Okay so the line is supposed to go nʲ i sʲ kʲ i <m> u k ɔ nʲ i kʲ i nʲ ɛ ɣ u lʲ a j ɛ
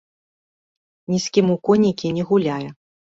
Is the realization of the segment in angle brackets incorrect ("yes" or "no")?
no